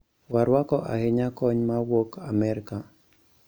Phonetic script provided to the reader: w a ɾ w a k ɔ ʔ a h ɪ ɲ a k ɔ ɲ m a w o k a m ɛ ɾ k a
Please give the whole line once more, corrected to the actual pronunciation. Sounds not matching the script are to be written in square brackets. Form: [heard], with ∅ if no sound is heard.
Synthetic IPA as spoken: w a ɾ w a k ɔ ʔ a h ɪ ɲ a k ɔ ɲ m a w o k a m ɛ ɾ k a